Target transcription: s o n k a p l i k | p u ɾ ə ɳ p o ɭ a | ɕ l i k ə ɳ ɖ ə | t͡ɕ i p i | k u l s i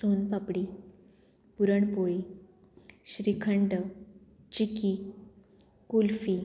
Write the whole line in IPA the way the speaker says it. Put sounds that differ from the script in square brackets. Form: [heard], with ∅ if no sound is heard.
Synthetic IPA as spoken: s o n [p] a p [ɽ] i [∅] | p u ɾ ə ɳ p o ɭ [i] | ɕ [ɾ] i [kʰ] ə ɳ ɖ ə | t͡ɕ i [k] i | k u l [f] i